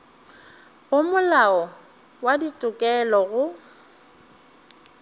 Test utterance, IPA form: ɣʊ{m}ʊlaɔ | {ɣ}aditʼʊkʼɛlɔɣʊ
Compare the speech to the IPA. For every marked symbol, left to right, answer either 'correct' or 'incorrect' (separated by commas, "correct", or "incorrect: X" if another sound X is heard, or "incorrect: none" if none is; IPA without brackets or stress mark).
correct, incorrect: w